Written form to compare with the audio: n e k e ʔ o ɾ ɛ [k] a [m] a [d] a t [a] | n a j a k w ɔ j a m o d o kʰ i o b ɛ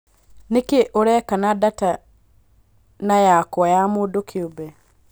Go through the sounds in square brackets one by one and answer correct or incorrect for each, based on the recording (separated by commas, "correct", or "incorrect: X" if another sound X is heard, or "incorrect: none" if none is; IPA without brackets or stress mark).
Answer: correct, incorrect: n, correct, correct